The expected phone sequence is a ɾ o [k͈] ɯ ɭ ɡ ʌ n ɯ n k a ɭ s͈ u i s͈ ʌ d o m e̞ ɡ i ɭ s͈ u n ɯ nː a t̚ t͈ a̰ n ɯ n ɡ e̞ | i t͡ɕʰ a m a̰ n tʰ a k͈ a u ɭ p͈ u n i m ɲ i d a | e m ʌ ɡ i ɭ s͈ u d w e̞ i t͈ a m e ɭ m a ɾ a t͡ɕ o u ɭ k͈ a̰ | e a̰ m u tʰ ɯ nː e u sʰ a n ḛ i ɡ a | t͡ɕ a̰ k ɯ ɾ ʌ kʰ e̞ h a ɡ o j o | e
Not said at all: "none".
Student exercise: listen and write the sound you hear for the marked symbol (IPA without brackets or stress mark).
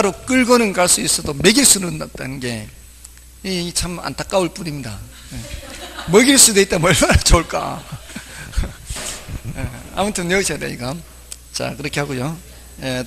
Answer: k͈